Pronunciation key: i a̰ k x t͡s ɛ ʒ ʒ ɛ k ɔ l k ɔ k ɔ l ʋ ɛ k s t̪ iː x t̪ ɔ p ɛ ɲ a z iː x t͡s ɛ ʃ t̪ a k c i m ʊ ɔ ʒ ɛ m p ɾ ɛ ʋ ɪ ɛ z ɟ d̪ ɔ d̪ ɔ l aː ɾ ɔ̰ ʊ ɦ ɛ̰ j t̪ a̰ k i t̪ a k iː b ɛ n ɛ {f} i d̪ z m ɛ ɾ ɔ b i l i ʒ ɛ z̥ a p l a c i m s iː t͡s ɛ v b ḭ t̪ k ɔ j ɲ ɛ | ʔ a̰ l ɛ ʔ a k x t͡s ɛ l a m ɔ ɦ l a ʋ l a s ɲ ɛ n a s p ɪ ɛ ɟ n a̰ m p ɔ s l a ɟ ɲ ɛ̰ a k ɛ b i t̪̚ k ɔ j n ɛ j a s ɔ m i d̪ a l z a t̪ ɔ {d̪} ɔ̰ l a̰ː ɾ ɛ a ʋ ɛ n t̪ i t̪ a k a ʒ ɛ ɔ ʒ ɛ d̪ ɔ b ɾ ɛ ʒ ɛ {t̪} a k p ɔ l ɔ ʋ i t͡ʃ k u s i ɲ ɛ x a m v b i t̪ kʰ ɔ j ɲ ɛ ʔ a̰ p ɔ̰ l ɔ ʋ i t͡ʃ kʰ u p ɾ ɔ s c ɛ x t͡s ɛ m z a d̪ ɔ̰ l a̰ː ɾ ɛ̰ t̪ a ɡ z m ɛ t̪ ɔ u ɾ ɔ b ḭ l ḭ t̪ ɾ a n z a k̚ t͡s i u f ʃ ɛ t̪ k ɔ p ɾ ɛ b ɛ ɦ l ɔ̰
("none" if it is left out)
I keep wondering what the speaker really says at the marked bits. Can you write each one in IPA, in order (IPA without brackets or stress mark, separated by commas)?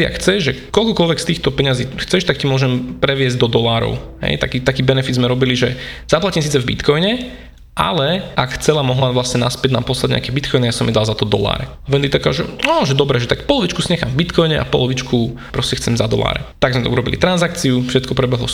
f, d̪, t̪